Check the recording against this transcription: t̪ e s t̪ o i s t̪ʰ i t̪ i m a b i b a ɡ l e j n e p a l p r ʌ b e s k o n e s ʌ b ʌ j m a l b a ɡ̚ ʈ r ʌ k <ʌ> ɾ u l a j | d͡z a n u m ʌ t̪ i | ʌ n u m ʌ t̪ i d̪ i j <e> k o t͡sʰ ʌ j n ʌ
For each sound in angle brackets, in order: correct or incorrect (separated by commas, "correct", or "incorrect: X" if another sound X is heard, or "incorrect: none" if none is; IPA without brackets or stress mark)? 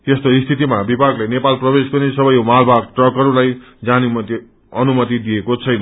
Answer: correct, correct